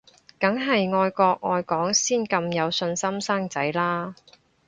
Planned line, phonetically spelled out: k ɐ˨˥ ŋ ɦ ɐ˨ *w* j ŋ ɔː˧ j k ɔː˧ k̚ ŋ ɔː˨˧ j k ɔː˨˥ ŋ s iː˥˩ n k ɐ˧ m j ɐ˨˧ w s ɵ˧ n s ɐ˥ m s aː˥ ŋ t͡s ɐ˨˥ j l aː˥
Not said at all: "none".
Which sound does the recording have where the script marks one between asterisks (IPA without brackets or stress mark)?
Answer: none